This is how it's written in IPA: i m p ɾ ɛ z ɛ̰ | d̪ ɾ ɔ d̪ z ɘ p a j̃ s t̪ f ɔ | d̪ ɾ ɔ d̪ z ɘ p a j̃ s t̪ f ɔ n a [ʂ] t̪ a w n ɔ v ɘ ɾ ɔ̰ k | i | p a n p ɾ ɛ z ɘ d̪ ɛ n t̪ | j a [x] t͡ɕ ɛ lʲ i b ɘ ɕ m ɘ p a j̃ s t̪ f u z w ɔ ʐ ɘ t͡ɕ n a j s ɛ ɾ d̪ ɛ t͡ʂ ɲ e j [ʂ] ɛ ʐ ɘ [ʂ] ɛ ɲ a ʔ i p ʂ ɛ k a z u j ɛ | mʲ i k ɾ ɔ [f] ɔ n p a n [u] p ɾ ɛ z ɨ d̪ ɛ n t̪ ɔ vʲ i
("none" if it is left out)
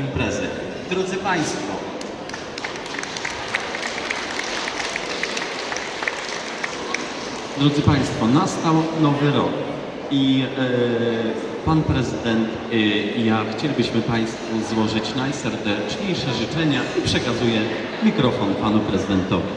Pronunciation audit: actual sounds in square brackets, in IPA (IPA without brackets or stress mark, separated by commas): s, x, ʂ, t͡ʂ, f, u